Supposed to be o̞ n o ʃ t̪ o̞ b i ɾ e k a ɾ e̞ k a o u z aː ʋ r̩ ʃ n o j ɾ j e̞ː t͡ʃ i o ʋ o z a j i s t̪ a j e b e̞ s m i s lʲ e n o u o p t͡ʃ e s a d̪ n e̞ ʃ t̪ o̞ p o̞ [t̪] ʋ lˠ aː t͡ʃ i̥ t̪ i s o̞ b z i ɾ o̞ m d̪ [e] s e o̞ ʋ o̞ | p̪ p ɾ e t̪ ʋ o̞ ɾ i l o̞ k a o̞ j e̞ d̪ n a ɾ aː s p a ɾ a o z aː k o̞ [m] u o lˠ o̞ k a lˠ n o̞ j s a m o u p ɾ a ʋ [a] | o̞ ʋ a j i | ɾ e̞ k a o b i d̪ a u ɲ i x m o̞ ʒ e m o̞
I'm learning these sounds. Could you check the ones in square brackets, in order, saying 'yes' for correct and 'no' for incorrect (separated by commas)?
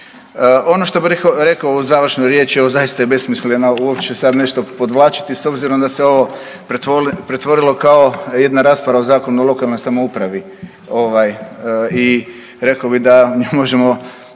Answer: no, no, no, no